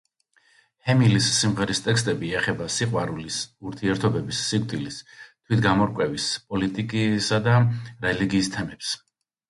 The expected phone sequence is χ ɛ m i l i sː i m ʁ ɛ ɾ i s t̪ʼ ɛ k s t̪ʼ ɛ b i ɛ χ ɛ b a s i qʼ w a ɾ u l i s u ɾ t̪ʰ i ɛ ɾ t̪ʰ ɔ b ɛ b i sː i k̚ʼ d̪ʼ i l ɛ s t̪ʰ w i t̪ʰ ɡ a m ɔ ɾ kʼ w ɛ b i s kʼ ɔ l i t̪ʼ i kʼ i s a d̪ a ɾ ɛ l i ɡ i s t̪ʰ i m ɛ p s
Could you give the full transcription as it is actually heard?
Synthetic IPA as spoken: h ɛ m i l i sː i m ʁ ɛ ɾ i s t̪ʼ ɛ k s t̪ʼ ɛ b i ɛ χ ɛ b a s i qʼ w a ɾ u l i s u ɾ t̪ʰ i ɛ ɾ t̪ʰ ɔ b ɛ b i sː i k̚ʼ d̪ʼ i l i s t̪ʰ w i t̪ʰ ɡ a m ɔ ɾ kʼ w ɛ v i s pʼ ɔ l i t̪ʼ i kʼ i s a d̪ a ɾ ɛ l i ɡ iː s t̪ʰ ɛ m ɛ p s